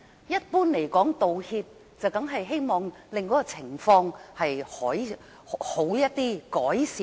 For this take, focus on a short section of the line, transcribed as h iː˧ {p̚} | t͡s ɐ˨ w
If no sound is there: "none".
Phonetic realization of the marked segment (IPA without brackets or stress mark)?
p̚